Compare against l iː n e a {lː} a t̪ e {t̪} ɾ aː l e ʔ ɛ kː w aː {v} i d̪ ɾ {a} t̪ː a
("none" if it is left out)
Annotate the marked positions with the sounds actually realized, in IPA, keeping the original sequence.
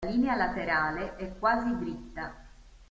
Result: l, none, z, i

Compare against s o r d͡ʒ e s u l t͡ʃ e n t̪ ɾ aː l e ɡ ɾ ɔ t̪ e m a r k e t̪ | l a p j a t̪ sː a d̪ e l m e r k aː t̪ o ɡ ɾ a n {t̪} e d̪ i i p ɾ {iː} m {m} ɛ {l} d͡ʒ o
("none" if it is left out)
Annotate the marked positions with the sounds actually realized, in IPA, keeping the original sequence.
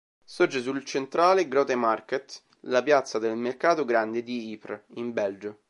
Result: d̪, i, b, l

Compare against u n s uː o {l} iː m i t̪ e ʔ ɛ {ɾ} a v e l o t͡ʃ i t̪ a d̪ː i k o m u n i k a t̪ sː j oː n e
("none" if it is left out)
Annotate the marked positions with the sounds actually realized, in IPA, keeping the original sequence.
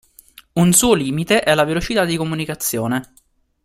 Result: l, l

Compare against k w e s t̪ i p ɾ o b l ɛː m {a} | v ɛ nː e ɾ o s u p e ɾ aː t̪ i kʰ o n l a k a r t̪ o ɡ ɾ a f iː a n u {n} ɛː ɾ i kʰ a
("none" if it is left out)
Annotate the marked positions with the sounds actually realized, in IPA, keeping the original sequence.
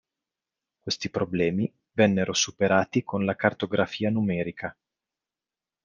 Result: i, m

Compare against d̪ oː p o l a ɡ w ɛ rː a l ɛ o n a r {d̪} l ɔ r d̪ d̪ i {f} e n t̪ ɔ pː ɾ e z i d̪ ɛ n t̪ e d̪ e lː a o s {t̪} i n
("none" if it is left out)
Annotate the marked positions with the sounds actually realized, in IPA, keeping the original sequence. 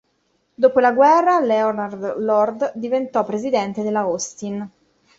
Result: d̪, v, t̪

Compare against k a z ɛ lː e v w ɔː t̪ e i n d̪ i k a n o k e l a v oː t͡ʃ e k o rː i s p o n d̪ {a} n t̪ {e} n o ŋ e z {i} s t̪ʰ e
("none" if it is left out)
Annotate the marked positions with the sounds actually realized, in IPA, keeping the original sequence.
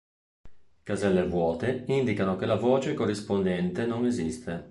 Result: ɛ, e, i

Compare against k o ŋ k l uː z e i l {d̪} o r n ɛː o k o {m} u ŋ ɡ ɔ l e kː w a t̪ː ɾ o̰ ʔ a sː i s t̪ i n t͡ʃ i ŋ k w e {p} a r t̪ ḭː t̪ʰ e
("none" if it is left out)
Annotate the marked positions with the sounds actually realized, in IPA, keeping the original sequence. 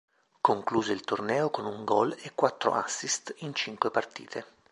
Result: t̪, n, p

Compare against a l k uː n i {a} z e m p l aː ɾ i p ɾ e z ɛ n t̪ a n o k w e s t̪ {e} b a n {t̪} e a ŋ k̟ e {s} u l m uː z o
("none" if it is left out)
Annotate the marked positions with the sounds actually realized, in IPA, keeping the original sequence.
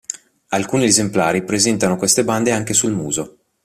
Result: e, e, d̪, s

